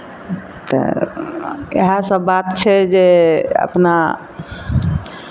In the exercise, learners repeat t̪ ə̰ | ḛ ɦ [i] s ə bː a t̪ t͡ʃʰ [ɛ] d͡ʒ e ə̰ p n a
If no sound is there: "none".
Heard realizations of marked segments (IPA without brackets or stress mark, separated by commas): a, ɛ